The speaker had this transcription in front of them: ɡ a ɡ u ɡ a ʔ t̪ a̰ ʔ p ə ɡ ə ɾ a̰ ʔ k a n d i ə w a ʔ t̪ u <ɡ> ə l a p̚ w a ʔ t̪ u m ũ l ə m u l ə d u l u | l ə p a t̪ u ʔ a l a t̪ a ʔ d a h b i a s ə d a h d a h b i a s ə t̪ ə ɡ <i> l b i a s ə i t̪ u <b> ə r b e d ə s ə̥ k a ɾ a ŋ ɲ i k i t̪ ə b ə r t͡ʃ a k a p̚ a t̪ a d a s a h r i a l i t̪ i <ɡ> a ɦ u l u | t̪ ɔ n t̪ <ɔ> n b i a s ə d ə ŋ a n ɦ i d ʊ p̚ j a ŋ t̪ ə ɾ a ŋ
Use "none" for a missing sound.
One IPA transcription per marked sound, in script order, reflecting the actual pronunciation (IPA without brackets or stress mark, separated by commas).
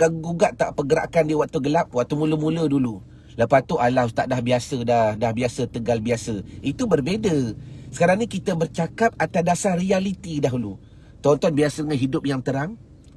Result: ɡ, a, b, d, ɔ